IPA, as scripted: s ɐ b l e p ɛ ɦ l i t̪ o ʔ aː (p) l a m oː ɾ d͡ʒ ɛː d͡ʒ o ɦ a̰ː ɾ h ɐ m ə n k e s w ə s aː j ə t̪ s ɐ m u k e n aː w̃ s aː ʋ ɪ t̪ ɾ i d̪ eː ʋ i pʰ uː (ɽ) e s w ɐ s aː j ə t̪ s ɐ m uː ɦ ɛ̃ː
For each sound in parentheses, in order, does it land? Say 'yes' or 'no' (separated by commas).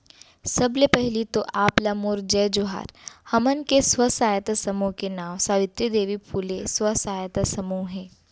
yes, no